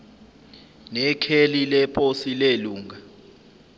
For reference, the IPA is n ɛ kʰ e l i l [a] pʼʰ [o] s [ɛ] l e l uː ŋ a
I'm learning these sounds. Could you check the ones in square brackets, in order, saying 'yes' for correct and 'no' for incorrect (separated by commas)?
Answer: no, yes, no